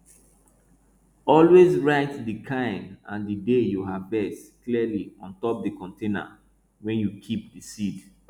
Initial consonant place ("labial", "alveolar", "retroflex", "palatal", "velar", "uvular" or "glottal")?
alveolar